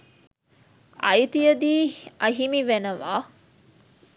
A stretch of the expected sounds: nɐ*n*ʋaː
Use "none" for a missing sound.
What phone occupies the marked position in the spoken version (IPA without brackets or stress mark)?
none